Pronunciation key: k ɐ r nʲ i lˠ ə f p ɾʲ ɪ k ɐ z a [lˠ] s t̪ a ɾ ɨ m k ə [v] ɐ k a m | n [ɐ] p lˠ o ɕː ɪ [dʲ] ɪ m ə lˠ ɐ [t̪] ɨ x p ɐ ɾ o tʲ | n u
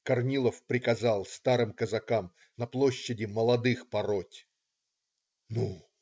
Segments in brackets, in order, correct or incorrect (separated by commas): correct, incorrect, correct, correct, incorrect